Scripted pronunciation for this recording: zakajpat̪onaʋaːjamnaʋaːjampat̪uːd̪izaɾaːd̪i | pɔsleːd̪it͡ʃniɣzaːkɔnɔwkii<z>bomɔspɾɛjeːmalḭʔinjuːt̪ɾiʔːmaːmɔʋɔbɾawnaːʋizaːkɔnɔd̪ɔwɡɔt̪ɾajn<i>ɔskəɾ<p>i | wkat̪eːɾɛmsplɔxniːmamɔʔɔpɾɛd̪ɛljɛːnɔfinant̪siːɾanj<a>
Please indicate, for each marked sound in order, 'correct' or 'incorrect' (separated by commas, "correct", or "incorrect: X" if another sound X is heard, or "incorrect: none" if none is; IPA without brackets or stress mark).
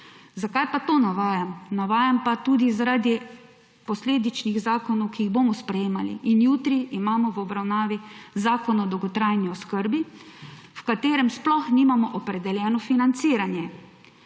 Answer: incorrect: ɣ, correct, incorrect: b, incorrect: ɛ